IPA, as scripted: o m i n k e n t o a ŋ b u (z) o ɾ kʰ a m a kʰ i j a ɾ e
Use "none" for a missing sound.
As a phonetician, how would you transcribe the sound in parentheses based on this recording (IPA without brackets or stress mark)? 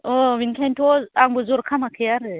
z